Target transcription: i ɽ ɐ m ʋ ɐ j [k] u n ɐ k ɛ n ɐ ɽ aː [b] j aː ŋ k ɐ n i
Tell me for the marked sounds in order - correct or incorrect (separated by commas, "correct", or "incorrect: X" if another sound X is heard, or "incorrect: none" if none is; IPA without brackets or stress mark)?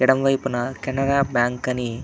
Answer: incorrect: p, correct